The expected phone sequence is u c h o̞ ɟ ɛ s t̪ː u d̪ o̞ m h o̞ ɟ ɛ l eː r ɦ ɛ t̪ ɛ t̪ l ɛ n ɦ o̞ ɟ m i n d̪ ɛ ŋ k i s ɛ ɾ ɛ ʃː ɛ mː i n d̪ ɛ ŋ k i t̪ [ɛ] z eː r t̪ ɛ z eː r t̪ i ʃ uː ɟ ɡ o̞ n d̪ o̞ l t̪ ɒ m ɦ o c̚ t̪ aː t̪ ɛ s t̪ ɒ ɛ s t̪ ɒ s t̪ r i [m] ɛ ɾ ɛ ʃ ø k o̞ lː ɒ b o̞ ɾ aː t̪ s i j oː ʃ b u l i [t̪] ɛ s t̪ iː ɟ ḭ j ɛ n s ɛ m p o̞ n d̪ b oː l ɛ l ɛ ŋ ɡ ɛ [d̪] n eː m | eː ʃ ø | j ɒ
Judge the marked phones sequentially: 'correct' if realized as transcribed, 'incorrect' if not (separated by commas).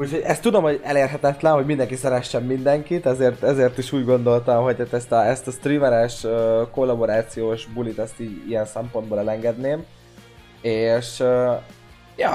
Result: correct, correct, correct, correct